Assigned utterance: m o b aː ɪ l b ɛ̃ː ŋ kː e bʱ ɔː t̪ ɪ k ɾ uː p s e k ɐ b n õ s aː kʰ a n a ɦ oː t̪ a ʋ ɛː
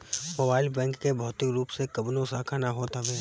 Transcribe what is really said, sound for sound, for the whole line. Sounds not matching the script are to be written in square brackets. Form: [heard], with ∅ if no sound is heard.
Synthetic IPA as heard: m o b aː ɪ l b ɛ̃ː ŋ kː e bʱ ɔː t̪ ɪ k ɾ uː p s e k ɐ b n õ s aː kʰ a n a ɦ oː t̪ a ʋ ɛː